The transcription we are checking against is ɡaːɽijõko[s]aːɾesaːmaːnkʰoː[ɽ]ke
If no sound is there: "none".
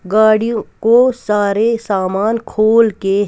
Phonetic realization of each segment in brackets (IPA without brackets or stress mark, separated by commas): s, l